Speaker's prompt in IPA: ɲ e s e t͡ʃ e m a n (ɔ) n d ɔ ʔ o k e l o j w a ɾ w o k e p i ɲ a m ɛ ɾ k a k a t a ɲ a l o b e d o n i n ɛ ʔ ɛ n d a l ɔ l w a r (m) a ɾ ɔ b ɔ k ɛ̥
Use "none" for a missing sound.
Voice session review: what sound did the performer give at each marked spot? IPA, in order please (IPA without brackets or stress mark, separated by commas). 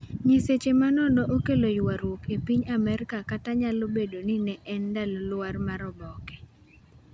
ɔ, m